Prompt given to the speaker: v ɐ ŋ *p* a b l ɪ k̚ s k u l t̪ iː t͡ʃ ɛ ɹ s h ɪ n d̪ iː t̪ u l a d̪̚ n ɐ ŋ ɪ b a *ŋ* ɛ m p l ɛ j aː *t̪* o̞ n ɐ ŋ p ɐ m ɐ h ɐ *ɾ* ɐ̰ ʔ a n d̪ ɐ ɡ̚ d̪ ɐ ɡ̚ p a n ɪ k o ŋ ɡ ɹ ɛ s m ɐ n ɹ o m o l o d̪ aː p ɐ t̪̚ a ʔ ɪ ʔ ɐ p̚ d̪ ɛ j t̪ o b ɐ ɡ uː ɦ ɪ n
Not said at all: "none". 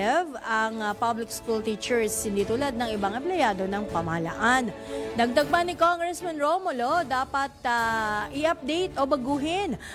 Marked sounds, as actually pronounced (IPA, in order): p, ŋ, d̪, l

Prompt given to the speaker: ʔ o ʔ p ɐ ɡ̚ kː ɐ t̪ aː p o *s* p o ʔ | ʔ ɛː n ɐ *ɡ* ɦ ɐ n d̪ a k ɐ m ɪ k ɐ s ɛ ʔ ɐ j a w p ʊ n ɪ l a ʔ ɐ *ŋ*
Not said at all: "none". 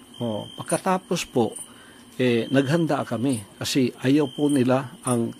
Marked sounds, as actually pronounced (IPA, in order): s, ɡ, ŋ

